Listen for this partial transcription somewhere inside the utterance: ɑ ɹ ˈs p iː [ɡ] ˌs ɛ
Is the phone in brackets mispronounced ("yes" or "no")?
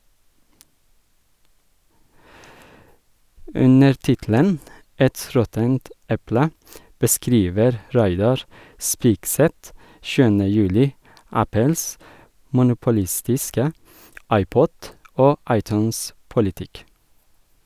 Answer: yes